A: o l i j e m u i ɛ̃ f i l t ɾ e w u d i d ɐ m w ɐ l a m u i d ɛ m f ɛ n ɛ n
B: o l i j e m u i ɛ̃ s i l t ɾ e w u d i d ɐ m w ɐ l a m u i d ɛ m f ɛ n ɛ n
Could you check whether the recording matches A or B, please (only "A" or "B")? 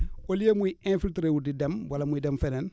A